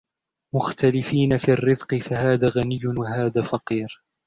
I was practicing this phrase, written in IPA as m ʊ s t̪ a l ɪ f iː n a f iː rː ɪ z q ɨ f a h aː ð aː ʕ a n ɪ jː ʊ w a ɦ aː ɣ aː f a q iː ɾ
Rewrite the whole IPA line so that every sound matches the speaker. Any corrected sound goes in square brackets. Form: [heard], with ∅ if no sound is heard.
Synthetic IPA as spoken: m ʊ [x] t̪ a l ɪ f iː n a f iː rː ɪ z q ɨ f a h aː ð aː [ɣ] a n ɪ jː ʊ w a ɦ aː [ð] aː f [ɑ] q iː ɾ